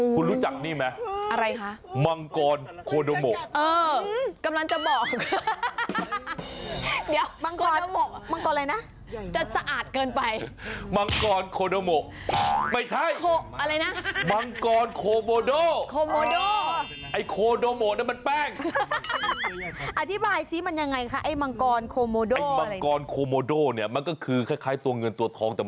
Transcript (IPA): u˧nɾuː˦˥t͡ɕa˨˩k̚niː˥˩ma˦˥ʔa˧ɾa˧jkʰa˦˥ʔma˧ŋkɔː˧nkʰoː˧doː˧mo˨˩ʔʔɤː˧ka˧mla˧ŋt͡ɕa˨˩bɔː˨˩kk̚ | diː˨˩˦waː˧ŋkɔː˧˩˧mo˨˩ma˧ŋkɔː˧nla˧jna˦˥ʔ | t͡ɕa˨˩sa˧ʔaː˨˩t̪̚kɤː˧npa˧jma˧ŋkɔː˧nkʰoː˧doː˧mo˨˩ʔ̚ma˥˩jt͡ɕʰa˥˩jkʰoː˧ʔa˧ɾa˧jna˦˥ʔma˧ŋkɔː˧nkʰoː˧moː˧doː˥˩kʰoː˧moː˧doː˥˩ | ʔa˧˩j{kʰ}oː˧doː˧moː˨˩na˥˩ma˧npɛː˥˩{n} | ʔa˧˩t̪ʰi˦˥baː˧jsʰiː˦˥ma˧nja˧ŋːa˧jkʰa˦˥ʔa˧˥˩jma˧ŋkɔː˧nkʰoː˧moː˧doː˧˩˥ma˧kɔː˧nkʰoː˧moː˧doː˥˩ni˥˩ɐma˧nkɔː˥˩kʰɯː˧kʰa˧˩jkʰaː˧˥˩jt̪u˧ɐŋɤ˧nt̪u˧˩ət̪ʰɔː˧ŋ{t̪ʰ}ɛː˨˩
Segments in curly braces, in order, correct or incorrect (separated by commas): correct, incorrect, incorrect